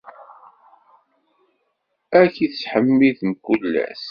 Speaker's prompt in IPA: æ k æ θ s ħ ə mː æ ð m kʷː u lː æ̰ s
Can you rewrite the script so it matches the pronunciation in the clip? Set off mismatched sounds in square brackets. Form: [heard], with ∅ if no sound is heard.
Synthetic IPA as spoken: æ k [i] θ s ħ ə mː [i] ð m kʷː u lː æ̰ s